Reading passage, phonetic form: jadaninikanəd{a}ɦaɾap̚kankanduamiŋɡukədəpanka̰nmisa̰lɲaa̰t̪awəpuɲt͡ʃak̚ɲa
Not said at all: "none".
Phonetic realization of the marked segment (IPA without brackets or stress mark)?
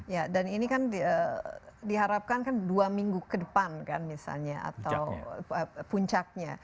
i